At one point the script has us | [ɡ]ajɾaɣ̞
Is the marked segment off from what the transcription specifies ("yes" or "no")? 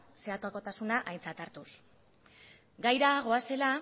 no